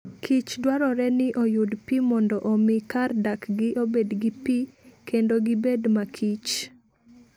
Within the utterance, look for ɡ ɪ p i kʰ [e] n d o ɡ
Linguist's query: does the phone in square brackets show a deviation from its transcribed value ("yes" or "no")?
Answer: no